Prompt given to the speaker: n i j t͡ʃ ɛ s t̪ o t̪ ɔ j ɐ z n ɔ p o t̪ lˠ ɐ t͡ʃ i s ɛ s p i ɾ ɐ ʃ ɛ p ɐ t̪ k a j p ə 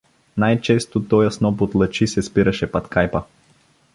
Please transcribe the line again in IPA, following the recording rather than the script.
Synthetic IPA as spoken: n a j t͡ʃ ɛ s t̪ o t̪ ɔ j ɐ s n ɔ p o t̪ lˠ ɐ t͡ʃ i s ɛ s p i ɾ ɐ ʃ ɛ p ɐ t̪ k a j p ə